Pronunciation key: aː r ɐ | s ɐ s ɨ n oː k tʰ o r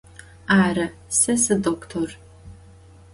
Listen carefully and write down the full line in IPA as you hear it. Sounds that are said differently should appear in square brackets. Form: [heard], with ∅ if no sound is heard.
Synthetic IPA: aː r ɐ | s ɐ s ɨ [d] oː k tʰ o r

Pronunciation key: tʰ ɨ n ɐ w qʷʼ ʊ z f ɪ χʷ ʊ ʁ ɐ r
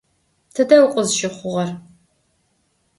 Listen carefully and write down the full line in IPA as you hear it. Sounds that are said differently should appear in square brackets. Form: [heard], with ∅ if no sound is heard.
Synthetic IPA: tʰ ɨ [d] ɐ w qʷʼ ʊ z [ʃ] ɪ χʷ ʊ ʁ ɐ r

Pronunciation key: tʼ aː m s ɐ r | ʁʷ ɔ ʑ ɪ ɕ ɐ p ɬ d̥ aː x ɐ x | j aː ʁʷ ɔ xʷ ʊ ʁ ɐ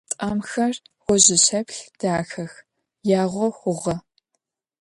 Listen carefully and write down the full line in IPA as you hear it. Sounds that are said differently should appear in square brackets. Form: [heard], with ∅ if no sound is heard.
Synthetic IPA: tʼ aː m [x] ɐ r | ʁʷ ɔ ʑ ɪ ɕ ɐ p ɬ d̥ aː x ɐ x | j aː ʁʷ ɔ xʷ ʊ ʁ ɐ

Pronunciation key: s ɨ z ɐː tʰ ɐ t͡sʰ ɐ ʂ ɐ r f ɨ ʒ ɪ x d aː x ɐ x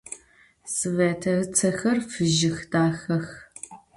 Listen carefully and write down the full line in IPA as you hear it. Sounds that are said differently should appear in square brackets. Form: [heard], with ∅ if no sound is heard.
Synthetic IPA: s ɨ [v] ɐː tʰ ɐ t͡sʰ ɐ [x] ɐ r f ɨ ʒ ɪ x d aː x ɐ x

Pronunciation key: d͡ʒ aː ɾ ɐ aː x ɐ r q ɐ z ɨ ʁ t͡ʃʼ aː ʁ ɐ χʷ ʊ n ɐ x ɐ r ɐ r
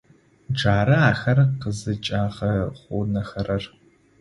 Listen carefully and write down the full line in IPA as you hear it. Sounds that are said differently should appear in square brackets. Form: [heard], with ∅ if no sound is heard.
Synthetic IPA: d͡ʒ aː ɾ ɐ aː x ɐ r q [ə] z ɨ [∅] t͡ʃʼ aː ʁ ɐ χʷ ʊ n ɐ x ɐ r ɐ r

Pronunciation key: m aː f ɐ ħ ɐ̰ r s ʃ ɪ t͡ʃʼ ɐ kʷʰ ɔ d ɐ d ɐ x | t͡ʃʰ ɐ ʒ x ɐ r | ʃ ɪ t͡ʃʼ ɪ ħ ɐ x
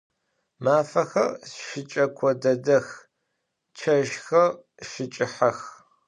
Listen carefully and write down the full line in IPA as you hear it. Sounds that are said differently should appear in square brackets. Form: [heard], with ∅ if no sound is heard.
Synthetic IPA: m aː f ɐ [x] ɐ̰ r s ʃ ɪ t͡ʃʼ ɐ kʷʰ ɔ d ɐ d ɐ x | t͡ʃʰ ɐ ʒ x ɐ r | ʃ ɪ t͡ʃʼ ɪ ħ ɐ x

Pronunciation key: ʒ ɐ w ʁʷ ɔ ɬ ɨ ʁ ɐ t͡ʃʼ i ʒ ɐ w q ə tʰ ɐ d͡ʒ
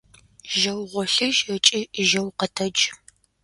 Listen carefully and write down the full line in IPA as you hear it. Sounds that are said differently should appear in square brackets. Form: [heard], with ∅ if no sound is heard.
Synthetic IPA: ʒ ɐ w ʁʷ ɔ ɬ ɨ [ʒ] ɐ t͡ʃʼ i ʒ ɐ w q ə tʰ ɐ d͡ʒ

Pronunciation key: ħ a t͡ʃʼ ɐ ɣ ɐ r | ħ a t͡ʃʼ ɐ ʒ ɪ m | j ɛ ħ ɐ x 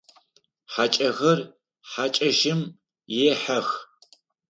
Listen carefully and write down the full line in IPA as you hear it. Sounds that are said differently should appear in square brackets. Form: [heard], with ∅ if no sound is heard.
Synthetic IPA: ħ a t͡ʃʼ ɐ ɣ ɐ r | ħ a t͡ʃʼ ɐ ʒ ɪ m | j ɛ ħ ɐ x

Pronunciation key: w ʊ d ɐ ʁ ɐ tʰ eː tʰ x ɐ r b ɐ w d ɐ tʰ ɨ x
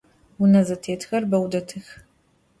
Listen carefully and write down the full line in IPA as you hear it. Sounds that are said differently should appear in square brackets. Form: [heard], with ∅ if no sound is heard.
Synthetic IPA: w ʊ [n] ɐ [z] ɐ tʰ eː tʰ x ɐ r b ɐ w d ɐ tʰ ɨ x

